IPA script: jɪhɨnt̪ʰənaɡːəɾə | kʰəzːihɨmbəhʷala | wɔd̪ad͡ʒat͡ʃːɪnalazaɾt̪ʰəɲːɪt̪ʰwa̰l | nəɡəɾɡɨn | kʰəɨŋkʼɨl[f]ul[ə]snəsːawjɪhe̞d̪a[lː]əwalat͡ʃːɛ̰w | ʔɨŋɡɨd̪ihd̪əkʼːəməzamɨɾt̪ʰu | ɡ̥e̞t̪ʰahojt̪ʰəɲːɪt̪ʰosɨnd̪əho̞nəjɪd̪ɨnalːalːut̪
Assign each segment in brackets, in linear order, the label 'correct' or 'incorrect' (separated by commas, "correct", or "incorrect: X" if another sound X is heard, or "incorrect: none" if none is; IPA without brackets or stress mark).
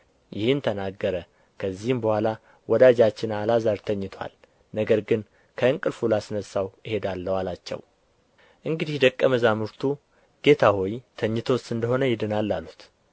correct, incorrect: a, correct